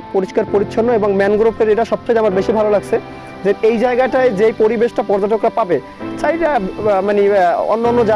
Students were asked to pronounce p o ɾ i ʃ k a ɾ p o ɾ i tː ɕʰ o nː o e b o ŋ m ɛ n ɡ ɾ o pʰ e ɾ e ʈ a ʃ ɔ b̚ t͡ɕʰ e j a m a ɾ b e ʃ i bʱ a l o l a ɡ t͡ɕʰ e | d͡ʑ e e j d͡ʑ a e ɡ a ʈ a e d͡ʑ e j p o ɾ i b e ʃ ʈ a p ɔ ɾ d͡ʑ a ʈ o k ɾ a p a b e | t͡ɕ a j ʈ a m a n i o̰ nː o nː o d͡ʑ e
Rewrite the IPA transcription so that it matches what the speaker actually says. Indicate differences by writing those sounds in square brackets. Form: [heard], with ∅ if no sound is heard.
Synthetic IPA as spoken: p o ɾ i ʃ k a ɾ p o ɾ i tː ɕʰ o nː o e b o ŋ m ɛ n ɡ ɾ o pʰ e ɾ e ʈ a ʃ ɔ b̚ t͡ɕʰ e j a m a ɾ b e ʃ i bʱ a l o l a ɡ t͡ɕʰ e | d͡ʑ e e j d͡ʑ a e ɡ a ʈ a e d͡ʑ e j p o ɾ i b e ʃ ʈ a p ɔ ɾ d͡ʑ a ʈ o k ɾ a p a b e | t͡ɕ a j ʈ a m a n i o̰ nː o nː o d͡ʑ [a]